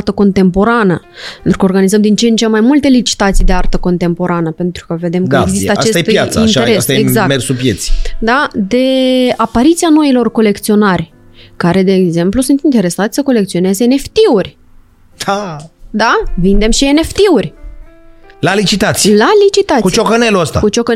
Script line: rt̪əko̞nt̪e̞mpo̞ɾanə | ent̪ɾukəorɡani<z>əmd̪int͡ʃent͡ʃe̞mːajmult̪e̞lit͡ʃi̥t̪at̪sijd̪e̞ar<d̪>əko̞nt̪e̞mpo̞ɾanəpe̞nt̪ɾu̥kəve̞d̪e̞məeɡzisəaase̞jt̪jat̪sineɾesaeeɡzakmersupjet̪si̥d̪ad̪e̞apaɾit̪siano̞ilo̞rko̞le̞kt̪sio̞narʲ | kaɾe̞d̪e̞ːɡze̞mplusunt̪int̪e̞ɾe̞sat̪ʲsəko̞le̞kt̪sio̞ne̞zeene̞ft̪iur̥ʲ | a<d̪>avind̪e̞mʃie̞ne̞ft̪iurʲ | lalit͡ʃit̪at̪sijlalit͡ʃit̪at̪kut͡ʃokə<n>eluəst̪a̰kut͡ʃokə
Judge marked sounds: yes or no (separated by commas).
yes, no, yes, yes